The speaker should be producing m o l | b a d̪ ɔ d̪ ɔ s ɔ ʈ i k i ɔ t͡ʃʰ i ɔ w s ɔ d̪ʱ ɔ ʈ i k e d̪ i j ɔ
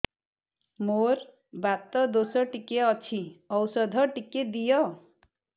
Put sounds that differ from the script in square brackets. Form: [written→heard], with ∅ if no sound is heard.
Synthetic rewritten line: m o [l→ɾ] | b a [d̪→t̪] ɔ d̪ [ɔ→o] s ɔ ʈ i k [i→e] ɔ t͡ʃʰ i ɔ w s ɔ d̪ʱ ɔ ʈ i k e d̪ i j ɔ